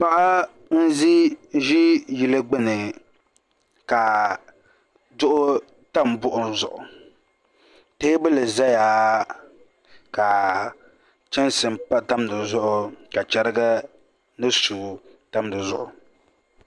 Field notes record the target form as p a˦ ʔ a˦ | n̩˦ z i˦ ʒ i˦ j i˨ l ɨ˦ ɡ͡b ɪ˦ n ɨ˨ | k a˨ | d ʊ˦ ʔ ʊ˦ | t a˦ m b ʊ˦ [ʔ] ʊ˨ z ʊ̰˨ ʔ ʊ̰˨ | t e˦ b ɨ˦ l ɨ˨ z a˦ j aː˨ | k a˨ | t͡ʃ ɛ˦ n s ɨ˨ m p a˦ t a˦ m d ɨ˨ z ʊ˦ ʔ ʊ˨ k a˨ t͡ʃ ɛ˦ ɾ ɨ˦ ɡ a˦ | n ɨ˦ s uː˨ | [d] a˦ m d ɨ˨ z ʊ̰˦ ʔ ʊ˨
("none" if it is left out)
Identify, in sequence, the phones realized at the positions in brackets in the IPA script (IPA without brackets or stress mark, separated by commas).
ʔ, t